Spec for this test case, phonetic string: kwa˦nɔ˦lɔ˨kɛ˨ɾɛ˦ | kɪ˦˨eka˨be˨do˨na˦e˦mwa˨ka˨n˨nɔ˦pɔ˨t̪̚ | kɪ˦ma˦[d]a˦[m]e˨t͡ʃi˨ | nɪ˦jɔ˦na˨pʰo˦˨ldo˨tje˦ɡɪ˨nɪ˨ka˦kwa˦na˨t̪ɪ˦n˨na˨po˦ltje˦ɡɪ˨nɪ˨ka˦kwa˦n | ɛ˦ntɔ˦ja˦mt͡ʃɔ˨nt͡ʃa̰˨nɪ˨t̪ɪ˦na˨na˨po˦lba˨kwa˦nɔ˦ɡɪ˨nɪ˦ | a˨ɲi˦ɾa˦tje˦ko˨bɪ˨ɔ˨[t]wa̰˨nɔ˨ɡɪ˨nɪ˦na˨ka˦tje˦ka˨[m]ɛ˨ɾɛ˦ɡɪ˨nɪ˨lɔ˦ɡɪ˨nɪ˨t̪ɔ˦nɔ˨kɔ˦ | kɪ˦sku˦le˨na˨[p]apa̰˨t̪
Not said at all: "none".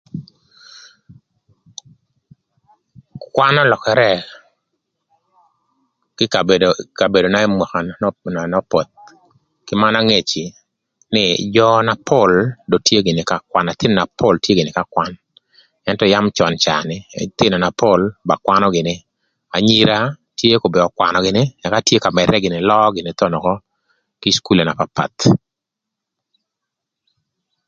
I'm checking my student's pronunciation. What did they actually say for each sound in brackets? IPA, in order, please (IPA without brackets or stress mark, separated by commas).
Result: n, ŋ, k, m, p